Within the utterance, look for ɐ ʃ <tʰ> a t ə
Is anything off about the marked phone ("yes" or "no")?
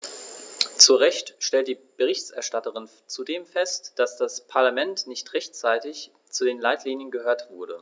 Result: yes